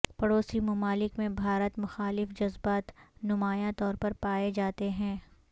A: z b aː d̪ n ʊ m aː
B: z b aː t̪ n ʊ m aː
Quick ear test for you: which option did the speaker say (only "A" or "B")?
B